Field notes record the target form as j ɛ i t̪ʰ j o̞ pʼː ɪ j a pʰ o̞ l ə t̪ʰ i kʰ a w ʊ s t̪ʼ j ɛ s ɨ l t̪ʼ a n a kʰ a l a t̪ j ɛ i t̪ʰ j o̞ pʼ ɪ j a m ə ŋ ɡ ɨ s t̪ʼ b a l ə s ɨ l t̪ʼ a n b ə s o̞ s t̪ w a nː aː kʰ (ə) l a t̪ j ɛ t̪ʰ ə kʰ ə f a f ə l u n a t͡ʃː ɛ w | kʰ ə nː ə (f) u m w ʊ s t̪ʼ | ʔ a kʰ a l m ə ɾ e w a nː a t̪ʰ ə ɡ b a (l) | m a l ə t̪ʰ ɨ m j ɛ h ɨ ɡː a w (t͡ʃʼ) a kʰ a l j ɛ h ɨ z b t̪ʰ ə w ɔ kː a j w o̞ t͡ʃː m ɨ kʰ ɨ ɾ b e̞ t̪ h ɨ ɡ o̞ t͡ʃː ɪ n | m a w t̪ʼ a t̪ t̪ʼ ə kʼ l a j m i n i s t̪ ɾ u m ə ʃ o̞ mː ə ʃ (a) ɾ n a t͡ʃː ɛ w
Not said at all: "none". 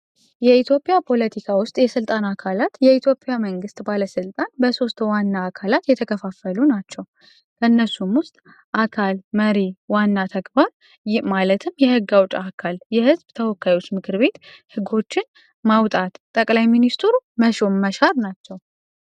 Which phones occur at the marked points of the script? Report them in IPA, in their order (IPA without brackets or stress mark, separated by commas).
a, s, ɾ, t͡ʃʼ, a